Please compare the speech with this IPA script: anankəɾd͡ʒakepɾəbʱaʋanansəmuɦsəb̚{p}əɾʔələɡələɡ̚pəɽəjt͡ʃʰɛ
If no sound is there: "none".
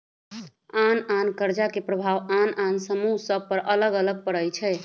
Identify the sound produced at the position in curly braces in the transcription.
p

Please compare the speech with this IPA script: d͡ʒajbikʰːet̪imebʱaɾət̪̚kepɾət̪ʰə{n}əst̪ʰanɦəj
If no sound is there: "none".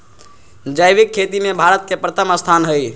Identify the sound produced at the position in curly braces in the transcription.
m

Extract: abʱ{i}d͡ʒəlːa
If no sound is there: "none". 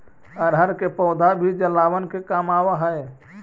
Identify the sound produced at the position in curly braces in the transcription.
i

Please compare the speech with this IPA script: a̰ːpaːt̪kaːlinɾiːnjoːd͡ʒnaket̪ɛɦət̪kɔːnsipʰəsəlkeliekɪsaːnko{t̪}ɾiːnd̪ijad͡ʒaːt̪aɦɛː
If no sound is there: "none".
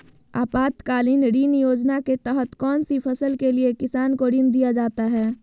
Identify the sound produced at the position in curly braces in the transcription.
none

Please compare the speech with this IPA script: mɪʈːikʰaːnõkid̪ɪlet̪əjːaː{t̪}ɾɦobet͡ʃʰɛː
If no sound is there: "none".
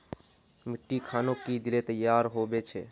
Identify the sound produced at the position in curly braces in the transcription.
none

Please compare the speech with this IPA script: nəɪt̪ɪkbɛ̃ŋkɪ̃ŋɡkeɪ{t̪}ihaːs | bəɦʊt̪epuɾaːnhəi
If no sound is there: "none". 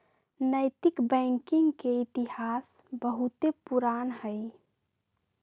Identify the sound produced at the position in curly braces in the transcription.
t̪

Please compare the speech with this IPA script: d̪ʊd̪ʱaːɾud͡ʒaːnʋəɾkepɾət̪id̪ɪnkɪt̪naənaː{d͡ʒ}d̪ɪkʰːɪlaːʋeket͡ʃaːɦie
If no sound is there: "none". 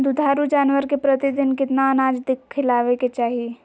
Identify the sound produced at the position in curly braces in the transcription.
d͡ʒ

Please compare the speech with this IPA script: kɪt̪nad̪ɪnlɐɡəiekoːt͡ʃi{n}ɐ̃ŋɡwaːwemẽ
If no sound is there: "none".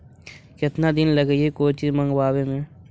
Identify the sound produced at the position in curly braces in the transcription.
m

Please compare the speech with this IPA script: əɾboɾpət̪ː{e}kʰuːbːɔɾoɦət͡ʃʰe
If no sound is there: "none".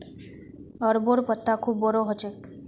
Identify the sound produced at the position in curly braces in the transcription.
a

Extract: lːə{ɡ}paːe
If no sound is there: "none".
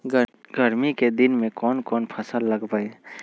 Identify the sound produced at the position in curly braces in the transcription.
ɡ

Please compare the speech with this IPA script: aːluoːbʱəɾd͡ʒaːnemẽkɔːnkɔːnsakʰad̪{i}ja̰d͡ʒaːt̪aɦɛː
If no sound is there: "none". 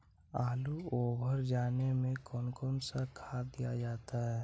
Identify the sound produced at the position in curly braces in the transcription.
i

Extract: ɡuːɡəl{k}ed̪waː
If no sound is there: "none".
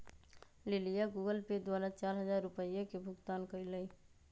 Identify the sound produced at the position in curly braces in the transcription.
p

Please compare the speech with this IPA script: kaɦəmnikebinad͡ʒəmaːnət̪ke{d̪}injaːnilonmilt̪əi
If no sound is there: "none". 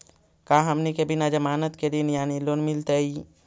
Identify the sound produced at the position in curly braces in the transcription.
d̪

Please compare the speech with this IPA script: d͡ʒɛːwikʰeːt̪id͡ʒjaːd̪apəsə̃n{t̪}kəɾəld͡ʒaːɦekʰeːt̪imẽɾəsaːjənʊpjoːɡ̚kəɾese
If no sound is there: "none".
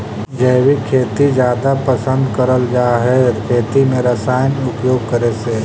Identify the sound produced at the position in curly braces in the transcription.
d̪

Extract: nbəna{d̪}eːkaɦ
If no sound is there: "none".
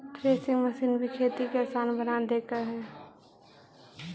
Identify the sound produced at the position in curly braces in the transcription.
d̪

